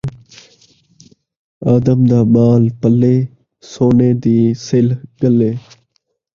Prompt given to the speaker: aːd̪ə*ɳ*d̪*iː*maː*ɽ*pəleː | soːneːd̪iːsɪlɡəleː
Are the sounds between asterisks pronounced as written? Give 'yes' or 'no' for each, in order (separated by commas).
no, no, no